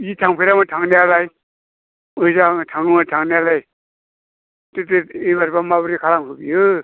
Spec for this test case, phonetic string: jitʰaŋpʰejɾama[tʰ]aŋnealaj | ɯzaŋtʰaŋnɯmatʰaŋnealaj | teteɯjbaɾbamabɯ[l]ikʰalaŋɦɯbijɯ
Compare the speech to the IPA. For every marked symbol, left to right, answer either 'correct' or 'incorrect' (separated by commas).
correct, incorrect